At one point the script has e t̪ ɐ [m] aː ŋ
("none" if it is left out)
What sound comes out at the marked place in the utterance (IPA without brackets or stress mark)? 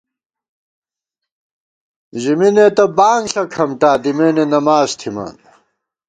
b